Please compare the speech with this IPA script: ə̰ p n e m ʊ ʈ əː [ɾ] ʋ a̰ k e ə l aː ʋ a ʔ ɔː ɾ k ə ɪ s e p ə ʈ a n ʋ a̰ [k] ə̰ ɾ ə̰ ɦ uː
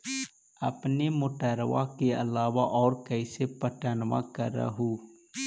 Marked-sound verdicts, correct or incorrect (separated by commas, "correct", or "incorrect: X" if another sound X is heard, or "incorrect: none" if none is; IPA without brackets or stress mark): correct, correct